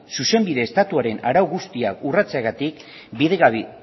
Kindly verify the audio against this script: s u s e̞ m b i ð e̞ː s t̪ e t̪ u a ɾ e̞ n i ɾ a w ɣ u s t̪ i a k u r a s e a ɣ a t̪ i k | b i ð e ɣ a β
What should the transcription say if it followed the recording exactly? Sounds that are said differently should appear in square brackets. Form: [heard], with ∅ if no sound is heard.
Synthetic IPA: s u s e̞ m b i ð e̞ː s t̪ [a] t̪ u a ɾ e̞ n [a] ɾ a w ɣ u s t̪ i a k u r a [t͡s] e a ɣ a t̪ i k | b i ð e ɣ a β